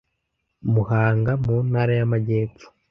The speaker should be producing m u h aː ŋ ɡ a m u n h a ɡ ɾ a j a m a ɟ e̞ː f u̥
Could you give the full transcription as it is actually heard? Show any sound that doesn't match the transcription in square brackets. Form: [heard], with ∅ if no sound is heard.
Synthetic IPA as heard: m u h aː ŋ ɡ a m u n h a [∅] ɾ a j a m a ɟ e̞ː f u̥